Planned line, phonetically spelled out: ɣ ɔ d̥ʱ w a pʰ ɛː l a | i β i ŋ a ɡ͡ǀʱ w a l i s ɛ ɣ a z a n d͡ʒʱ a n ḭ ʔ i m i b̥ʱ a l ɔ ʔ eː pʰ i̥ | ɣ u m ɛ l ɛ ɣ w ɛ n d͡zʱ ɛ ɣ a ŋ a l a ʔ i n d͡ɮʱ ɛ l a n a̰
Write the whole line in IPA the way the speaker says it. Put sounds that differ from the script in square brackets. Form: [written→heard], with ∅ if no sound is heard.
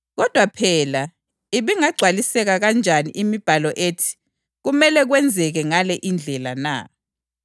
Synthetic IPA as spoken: ɣ ɔ d̥ʱ w a pʰ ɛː l a | i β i ŋ a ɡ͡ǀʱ w a l i s ɛ ɣ a [z→ɣ] a n d͡ʒʱ a n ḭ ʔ i m i b̥ʱ a l ɔ ʔ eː [pʰ→tʰ] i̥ | ɣ u m ɛ l ɛ ɣ w ɛ n d͡zʱ ɛ ɣ [a→ɛ] ŋ a l [a→ɛ] ʔ i n d͡ɮʱ ɛ l a n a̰

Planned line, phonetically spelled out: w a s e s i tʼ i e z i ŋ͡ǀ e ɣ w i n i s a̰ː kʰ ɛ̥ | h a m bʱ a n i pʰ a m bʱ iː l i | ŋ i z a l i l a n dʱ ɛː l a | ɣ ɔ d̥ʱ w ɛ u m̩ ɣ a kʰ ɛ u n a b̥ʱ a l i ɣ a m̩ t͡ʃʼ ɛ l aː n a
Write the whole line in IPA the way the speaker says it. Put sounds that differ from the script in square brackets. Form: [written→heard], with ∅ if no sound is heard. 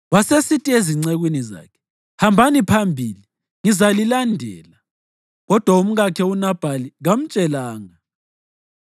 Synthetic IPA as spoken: w a s e s i tʼ i e z i ŋ͡ǀ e ɣ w i n i [s→z] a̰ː kʰ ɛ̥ | h a m bʱ a n i pʰ a m bʱ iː l i | ŋ i z a l i l a n dʱ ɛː l a | ɣ ɔ d̥ʱ w [ɛ→a] u m̩ ɣ a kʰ ɛ u n a b̥ʱ a l i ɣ a m̩ t͡ʃʼ ɛ l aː [n→ŋ] a

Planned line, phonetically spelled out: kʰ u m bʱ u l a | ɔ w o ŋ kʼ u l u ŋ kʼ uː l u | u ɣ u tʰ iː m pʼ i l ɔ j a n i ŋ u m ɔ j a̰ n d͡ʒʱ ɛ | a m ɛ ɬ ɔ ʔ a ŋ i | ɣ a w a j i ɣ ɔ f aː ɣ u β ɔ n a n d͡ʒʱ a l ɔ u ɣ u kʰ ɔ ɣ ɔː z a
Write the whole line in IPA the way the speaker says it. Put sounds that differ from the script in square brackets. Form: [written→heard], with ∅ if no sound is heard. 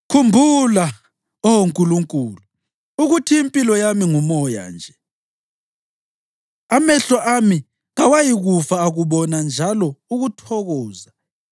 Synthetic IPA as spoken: kʰ u m bʱ u l a | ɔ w o ŋ kʼ u l u ŋ kʼ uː l u | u ɣ u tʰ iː m pʼ i l ɔ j a [n→m] i ŋ u m ɔ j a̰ n d͡ʒʱ ɛ | a m ɛ ɬ ɔ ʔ a [ŋ→m] i | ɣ a w a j i ɣ [ɔ→u] f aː ɣ u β ɔ n a n d͡ʒʱ a l ɔ u ɣ u [kʰ→tʰ] ɔ ɣ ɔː z a

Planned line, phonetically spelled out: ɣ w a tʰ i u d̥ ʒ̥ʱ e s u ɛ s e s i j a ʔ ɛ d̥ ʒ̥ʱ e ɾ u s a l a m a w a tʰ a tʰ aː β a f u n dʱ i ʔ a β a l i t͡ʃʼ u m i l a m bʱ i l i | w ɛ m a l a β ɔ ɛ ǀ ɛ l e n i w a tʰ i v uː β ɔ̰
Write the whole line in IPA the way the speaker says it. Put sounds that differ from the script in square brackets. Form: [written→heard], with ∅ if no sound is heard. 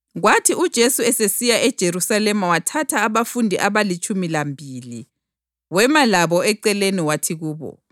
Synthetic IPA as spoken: ɣ w a tʰ i u d̥ ʒ̥ʱ e s u ɛ s e s i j a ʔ ɛ d̥ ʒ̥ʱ e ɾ u s a l [a→ɛ] m a w a tʰ a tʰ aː β a f u n dʱ i ʔ a β a l i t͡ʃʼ u m i l a m bʱ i l i | w ɛ m a l a β ɔ ɛ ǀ ɛ l e n i w a tʰ i [v→ɣ] uː β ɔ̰

